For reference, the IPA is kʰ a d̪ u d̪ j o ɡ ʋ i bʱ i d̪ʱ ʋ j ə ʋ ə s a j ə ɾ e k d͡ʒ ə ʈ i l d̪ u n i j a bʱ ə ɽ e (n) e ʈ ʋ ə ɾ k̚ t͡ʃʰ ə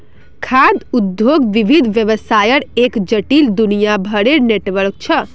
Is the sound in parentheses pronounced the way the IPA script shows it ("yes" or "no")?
yes